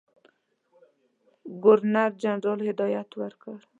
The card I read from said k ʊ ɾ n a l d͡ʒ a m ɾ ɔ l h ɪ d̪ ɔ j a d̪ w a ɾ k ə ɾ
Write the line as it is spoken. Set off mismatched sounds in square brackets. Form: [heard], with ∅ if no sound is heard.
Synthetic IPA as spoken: [ɡ] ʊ ɾ n a [ɾ] d͡ʒ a [n] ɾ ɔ l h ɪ d̪ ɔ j a [t̪] w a ɾ k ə ɾ